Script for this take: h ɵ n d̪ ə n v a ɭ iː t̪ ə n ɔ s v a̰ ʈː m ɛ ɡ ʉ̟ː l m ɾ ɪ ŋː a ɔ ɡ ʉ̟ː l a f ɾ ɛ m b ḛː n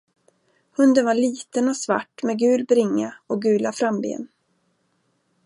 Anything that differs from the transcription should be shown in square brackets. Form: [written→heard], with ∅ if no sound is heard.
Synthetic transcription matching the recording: h ɵ n d̪ ə n v a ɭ iː t̪ ə n ɔ s v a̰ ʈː m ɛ ɡ ʉ̟ː l [m→b] ɾ ɪ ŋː a ɔ ɡ ʉ̟ː l a f ɾ [ɛ→a] m b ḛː n